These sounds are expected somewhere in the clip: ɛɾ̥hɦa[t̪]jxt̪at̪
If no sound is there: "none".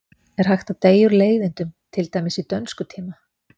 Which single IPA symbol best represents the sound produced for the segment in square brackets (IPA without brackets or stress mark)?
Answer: none